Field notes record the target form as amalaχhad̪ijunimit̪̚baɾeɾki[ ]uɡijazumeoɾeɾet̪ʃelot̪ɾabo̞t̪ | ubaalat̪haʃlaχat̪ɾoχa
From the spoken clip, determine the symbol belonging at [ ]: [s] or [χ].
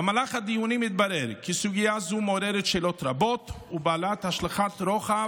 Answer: s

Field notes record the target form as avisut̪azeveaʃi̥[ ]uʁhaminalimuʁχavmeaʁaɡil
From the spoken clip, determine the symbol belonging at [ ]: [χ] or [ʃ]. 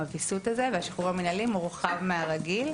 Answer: χ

